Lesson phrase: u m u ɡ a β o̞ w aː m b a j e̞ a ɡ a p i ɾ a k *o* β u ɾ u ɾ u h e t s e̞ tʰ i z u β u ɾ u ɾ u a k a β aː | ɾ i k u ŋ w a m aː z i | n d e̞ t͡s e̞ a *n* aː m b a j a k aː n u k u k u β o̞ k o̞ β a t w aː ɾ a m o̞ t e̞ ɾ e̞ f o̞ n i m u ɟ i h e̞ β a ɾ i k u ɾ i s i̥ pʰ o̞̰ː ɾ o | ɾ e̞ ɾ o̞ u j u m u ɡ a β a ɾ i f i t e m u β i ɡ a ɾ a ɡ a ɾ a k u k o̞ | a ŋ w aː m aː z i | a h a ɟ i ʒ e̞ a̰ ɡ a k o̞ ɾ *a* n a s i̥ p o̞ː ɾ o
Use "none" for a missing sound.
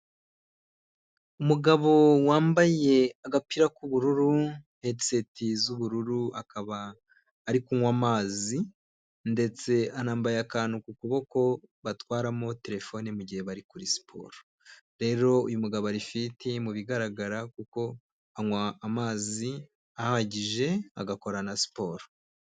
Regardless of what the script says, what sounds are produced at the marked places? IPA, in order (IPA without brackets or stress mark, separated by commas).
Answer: u, n, a